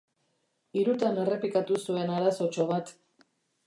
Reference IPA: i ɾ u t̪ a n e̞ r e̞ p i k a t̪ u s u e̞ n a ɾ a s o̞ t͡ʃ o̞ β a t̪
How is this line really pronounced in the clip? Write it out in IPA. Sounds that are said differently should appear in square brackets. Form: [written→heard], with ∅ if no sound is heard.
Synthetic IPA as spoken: i ɾ u t̪ a n e̞ r e̞ p i k a t̪ u s u e̞ n a ɾ a s o̞ t͡ʃ o̞ β a t̪